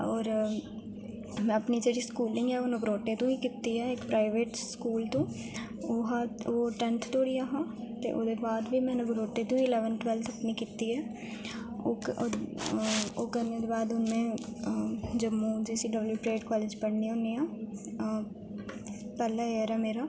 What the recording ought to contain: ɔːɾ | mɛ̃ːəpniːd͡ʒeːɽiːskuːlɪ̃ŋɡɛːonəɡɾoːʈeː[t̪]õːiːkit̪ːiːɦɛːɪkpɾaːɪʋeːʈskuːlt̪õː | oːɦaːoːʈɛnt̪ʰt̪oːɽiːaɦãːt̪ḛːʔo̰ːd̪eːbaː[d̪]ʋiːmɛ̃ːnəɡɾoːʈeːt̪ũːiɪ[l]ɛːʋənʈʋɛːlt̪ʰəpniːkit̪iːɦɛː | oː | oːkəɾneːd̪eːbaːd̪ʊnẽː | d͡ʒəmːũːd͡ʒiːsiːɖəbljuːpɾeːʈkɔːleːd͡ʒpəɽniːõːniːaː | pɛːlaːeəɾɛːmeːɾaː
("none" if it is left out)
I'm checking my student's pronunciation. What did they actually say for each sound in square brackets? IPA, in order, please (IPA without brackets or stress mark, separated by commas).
t̪, d̪, l